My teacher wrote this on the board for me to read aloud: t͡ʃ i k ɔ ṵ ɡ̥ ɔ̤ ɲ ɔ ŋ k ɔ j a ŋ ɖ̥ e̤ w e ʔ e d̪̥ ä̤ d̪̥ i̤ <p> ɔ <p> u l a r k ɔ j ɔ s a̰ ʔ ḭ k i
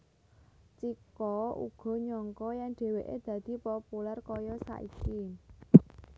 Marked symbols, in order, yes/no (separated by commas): yes, yes